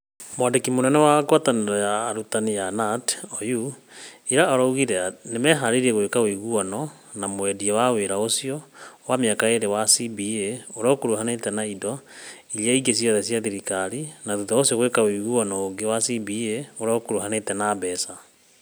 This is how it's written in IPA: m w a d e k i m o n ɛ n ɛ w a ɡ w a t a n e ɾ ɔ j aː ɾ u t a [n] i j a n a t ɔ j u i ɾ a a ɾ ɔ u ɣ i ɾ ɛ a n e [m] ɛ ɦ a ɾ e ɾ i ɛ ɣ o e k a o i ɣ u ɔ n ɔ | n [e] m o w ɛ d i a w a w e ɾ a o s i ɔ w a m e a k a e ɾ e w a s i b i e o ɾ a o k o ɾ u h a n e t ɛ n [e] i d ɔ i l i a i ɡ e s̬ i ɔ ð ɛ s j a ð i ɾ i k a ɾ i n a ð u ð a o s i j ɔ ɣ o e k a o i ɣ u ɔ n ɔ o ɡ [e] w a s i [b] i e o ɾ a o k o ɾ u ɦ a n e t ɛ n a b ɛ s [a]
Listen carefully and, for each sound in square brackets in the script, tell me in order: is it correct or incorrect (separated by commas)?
correct, correct, incorrect, incorrect, correct, correct, correct